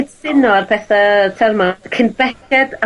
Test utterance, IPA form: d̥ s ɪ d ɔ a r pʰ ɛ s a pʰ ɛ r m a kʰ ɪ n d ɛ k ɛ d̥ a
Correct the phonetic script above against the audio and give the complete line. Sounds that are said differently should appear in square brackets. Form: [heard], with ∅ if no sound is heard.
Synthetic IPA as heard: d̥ s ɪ [n] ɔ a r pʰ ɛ [θ] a [tʰ] ɛ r m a kʰ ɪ n [b] ɛ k ɛ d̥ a

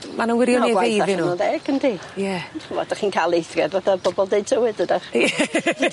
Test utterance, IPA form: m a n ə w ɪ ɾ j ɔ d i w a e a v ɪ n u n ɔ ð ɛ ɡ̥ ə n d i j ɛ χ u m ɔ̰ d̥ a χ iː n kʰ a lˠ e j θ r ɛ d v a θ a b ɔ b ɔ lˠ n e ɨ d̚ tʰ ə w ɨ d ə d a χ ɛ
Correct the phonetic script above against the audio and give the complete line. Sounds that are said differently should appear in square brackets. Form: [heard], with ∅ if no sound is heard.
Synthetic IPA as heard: m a n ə w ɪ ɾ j ɔ [n] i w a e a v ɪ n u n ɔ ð ɛ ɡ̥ ə n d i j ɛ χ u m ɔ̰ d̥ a χ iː n kʰ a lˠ e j θ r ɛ d v a θ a b ɔ b ɔ lˠ [d] e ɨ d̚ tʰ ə w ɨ d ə d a χ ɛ

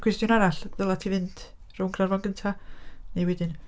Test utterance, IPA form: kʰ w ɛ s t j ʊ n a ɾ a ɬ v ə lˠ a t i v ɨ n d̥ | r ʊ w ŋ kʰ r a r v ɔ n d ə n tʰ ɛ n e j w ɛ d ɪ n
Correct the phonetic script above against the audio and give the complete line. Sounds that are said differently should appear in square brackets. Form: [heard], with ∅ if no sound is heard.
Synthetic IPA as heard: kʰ w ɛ s t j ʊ n a ɾ a ɬ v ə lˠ a [tʰ] i v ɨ n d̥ | r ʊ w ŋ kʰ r a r v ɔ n [ɡ] ə n tʰ [a] n e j w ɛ d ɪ n

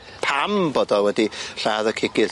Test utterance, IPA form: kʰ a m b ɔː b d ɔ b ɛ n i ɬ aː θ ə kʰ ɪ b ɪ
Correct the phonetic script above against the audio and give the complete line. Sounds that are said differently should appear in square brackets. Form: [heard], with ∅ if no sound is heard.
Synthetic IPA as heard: [pʰ] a m b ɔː [∅] d ɔ [w] ɛ [d] i ɬ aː [ð] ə kʰ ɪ [ɡ] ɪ

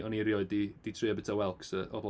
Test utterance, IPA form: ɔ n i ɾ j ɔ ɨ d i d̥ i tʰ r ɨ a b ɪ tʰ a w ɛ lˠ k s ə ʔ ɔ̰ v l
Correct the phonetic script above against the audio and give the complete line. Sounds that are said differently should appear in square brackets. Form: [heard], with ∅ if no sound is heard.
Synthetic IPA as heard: ɔ n i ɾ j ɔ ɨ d i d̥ i tʰ r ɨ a b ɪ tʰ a w ɛ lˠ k s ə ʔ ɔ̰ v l

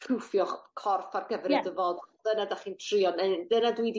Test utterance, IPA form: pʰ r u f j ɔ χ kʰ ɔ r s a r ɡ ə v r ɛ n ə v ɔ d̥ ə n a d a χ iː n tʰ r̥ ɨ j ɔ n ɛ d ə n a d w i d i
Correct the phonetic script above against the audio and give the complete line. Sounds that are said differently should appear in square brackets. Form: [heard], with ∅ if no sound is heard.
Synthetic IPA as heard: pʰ r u f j ɔ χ kʰ ɔ r [f] a r ɡ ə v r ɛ [d] ə v ɔ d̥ ə n a d a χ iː n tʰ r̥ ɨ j ɔ n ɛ d ə n a d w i d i

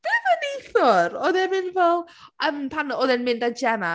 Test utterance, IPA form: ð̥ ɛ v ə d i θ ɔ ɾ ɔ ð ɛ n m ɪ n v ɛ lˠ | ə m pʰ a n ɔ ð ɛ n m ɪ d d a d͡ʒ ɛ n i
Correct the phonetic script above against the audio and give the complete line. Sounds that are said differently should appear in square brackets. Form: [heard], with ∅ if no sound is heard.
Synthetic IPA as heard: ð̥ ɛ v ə [n] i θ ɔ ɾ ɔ ð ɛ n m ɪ n v ɛ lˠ | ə m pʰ a n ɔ ð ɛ n m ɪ [n] d a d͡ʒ ɛ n [a]

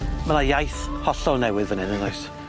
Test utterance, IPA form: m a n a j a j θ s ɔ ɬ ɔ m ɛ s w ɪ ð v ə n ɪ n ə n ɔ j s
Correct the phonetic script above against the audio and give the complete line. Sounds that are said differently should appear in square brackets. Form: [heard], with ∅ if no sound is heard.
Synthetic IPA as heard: m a n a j a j θ [h] ɔ ɬ ɔ [n] ɛ [∅] w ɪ ð v ə n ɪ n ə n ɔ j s

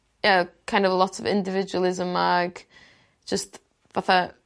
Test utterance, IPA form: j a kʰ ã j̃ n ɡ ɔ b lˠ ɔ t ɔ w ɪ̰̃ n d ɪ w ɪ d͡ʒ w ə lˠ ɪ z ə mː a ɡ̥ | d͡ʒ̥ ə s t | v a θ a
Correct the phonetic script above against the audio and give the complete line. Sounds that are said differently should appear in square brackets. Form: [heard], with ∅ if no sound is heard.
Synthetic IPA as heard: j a kʰ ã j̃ n [d] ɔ [v] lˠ ɔ t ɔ [v] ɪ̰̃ n d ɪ [v] ɪ d͡ʒ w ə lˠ ɪ z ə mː a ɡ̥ | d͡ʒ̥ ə s t | v a θ a

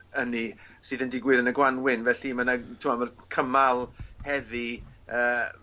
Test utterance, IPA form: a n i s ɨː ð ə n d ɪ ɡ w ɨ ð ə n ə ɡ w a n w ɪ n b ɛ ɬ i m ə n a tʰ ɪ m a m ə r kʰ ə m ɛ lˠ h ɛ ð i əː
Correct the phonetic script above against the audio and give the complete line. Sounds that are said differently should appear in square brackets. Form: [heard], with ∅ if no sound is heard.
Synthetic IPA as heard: [ə] n i s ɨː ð ə n d ɪ ɡ w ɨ ð ə n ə ɡ w a n w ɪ n [v] ɛ ɬ i m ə n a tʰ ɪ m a m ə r kʰ ə m [a] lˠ h ɛ ð i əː

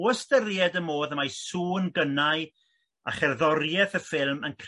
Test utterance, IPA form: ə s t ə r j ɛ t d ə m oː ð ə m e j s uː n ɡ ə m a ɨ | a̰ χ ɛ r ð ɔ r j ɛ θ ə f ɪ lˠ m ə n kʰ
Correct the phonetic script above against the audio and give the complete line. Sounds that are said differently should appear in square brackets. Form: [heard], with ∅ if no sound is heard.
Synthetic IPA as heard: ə s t ə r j ɛ [∅] d ə m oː ð ə m [a] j s uː n ɡ ə [n] a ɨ | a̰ χ ɛ r ð ɔ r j ɛ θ ə f ɪ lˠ m ə n kʰ

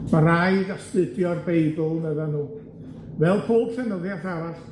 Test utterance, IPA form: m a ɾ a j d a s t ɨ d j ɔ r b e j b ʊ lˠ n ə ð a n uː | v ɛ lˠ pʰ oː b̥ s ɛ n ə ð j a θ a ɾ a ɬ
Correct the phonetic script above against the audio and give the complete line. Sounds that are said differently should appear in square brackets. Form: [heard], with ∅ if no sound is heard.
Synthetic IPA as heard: m a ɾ a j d a s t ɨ d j ɔ r b e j b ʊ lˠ n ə ð a n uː | v ɛ lˠ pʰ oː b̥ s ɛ n ə ð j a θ a ɾ a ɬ

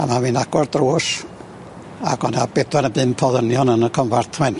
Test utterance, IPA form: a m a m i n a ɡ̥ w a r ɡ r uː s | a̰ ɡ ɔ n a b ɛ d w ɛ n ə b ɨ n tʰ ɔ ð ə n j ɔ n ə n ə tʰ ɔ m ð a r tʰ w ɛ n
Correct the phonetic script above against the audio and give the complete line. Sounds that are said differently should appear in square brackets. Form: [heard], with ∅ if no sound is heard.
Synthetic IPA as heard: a m a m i n a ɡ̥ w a r [d] r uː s | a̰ ɡ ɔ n a b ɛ d w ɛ n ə b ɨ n [pʰ] ɔ ð ə n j ɔ n ə n ə [kʰ] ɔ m [v] a r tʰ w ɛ n

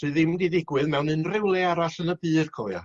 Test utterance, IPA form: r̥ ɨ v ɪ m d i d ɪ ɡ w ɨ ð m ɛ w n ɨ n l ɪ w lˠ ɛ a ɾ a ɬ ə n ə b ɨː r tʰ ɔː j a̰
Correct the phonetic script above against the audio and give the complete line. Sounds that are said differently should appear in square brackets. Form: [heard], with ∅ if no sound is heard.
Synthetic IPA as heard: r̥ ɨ [ð] ɪ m d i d ɪ ɡ w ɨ ð m ɛ w n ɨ n [r] ɪ w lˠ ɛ a ɾ a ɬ ə n ə b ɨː r [kʰ] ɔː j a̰

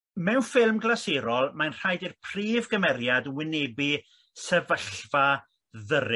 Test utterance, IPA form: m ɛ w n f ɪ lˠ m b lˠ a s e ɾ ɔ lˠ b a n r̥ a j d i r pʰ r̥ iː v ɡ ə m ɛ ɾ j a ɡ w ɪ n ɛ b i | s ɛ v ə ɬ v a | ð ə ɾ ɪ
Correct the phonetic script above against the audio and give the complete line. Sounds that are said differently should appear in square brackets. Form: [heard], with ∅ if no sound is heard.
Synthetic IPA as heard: m ɛ w n f ɪ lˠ m [ɡ] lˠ a s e ɾ ɔ lˠ [m] a n r̥ a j d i r pʰ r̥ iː v ɡ ə m ɛ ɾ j a [d] w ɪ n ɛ b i | s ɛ v ə ɬ v a | ð ə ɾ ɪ

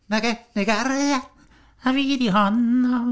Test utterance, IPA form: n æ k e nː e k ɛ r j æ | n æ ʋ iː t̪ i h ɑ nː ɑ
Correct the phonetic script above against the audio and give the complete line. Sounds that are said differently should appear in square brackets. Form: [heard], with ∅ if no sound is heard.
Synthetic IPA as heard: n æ k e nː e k [æ] r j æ | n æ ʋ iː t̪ i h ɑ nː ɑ

